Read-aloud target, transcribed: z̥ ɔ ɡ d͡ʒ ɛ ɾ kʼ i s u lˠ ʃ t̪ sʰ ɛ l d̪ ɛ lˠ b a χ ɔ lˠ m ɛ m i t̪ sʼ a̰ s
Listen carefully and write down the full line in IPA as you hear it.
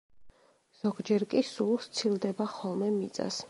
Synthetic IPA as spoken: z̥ ɔ ɡ d͡ʒ ɛ ɾ kʼ i s u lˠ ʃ t̪ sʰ i l d̪ ɛ b a χ ɔ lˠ m ɛ m i t̪ sʼ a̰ s